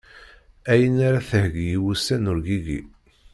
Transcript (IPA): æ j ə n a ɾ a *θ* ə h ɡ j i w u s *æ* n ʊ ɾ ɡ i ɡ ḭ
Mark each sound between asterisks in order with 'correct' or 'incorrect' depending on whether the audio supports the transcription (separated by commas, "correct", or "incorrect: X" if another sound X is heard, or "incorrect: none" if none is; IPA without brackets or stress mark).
correct, correct